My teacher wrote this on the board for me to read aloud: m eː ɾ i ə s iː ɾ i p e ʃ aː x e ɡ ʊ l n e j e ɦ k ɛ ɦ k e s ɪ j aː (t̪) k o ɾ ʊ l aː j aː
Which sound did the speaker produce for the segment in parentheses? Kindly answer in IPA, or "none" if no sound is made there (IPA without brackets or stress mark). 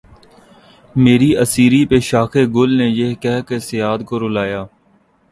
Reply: d̪